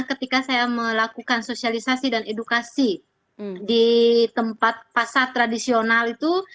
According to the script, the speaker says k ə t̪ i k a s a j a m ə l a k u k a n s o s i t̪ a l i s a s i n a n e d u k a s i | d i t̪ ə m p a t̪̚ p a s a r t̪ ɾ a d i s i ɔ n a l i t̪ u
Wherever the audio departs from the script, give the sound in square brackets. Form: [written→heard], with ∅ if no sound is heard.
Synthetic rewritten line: k ə t̪ i k a s a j a m ə l a k u k a n s o s i [t̪→∅] a l i s a s i [n→d] a n e d u k a s i | d i t̪ ə m p a t̪̚ p a s a r t̪ ɾ a d i s i [ɔ→o] n a l i t̪ u